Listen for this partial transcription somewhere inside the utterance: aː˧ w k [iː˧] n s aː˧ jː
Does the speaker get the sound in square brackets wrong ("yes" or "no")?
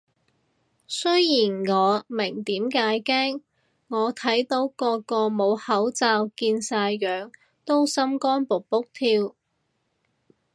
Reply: no